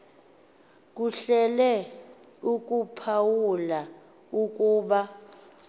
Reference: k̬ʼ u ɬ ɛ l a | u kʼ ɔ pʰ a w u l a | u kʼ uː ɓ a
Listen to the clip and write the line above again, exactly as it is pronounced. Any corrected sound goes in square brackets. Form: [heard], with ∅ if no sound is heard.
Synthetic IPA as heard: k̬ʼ u ɬ ɛ l [ɛ] | u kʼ [u] pʰ a w u l a | u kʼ uː ɓ a